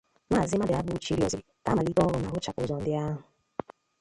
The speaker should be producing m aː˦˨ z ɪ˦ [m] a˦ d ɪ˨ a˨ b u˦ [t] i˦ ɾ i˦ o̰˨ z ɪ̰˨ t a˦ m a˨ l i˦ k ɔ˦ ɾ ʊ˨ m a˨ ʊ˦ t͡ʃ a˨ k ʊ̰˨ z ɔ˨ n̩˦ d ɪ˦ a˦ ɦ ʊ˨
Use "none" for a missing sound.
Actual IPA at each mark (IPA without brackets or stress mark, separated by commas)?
m, t͡ʃ